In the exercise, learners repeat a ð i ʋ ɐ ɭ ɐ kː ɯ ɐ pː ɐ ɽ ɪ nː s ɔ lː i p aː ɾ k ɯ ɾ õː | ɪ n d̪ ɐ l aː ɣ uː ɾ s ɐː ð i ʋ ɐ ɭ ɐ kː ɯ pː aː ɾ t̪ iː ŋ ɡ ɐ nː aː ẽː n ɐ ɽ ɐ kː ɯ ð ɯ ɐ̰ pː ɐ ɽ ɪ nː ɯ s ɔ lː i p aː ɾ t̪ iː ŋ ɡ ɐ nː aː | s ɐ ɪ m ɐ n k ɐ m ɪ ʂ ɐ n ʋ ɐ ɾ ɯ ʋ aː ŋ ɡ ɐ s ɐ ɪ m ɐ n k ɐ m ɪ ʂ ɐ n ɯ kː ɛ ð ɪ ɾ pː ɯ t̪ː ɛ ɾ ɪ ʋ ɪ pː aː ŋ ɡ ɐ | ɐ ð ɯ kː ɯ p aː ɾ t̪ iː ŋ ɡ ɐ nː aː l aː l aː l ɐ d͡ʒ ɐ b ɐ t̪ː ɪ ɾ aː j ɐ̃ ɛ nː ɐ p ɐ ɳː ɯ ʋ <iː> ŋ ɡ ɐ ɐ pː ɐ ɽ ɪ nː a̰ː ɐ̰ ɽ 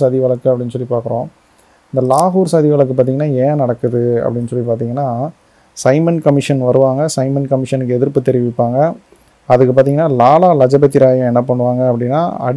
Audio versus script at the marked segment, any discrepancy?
yes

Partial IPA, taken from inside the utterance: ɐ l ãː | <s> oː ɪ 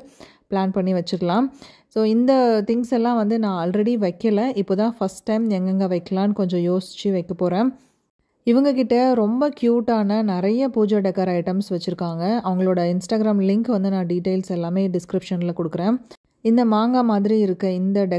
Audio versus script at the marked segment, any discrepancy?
no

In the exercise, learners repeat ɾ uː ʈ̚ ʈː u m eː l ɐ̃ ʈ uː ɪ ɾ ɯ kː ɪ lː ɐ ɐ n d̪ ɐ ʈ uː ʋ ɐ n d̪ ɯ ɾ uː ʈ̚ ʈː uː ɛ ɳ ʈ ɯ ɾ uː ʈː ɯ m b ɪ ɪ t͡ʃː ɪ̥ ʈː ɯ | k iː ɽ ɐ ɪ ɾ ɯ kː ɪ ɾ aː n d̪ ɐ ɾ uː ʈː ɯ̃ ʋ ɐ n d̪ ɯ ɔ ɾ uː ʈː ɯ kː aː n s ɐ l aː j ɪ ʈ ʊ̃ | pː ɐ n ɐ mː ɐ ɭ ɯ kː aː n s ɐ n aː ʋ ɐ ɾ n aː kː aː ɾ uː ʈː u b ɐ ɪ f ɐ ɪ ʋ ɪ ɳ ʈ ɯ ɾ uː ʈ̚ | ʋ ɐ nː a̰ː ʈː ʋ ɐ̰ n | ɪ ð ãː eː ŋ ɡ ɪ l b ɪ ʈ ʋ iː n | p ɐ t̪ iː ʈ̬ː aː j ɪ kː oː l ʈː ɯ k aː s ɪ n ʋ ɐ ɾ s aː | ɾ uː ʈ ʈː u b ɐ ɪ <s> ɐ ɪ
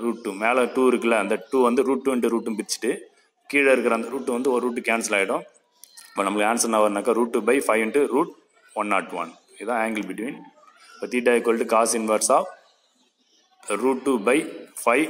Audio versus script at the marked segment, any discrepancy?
yes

